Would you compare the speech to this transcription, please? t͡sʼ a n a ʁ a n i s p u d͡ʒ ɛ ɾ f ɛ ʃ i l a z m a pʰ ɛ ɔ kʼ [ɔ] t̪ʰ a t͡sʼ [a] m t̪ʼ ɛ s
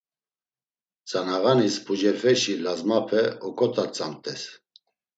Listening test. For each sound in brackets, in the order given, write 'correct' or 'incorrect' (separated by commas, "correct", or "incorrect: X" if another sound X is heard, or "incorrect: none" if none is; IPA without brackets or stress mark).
correct, correct